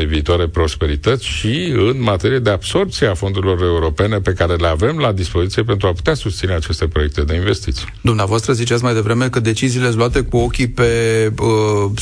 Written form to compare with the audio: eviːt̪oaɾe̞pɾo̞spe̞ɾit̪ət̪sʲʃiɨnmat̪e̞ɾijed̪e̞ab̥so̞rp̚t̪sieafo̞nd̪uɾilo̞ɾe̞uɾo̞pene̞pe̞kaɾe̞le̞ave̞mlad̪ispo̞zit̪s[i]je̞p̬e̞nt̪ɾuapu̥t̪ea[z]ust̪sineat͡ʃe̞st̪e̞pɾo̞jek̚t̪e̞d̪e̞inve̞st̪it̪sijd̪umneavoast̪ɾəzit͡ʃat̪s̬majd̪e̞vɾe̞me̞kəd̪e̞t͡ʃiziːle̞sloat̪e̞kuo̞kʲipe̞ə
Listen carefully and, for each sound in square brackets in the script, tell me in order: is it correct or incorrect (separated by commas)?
correct, incorrect